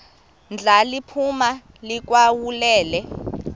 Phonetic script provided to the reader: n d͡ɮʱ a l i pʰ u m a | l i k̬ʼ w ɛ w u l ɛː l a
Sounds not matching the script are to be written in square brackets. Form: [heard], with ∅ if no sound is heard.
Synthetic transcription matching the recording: n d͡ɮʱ a l i pʰ u m a | l i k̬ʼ w [a] w u l ɛː l [ɛ]